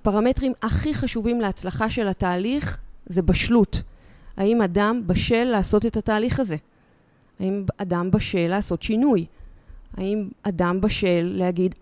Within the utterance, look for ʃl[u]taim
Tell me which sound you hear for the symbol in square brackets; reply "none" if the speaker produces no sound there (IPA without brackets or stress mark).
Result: u